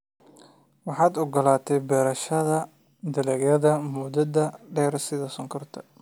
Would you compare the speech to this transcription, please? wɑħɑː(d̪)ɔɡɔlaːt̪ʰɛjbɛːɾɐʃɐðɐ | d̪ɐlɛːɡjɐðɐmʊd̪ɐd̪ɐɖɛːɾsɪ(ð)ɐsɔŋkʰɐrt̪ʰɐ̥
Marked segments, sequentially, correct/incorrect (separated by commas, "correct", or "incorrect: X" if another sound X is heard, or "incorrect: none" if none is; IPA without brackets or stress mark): correct, correct